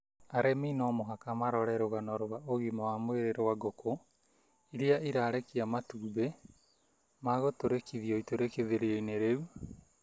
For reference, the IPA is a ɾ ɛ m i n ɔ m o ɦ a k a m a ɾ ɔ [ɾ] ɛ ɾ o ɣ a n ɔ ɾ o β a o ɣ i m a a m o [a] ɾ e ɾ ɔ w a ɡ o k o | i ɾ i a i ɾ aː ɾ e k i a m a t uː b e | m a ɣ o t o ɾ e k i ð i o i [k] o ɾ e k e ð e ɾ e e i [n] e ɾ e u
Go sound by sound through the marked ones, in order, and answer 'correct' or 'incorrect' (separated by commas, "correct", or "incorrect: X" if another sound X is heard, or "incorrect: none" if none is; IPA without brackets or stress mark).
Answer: correct, incorrect: e, incorrect: t, correct